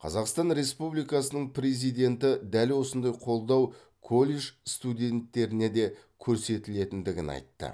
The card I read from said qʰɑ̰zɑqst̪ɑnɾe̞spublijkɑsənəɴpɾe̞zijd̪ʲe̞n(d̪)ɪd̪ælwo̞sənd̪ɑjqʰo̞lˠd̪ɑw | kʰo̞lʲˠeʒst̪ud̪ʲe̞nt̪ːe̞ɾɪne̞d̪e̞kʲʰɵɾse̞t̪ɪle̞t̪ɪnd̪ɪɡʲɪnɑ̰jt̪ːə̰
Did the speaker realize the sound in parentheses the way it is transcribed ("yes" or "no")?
no